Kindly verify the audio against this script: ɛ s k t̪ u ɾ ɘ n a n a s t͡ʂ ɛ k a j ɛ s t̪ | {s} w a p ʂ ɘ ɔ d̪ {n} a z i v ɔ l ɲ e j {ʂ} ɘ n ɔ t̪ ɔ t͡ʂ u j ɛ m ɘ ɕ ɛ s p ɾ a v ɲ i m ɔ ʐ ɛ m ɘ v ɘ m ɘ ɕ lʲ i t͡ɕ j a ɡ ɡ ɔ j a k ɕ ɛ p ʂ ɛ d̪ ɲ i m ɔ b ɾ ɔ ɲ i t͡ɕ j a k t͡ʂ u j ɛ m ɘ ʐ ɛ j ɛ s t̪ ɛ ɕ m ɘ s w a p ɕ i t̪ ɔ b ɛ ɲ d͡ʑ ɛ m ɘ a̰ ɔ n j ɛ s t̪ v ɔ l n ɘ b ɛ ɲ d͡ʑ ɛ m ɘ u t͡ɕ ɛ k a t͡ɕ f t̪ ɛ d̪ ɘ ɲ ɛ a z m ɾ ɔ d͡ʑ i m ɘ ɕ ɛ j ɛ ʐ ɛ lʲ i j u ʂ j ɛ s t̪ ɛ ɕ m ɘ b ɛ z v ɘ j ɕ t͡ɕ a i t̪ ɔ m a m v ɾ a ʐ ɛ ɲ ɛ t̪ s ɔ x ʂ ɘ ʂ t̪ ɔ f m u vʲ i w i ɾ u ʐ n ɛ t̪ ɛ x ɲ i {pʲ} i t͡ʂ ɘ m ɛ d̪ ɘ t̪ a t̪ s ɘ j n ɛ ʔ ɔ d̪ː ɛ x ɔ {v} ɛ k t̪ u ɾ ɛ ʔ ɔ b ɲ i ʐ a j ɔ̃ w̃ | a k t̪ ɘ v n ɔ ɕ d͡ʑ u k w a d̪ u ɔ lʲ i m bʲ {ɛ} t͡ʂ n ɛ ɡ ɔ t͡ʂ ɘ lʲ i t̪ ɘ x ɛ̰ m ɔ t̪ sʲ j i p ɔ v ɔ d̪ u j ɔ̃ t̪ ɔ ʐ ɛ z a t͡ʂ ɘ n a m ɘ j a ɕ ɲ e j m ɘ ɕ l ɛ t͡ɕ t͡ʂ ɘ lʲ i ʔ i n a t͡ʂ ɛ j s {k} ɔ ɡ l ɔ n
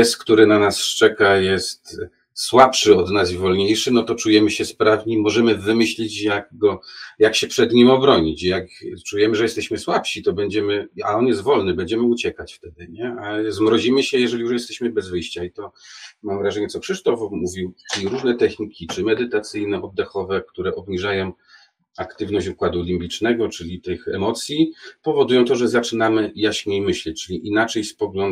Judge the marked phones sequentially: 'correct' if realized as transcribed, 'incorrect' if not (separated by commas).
correct, correct, correct, incorrect, correct, incorrect, incorrect